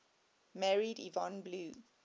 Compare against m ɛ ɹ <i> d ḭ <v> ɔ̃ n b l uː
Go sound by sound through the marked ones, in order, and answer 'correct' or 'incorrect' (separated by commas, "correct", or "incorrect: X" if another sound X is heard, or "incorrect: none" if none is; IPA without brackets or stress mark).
correct, correct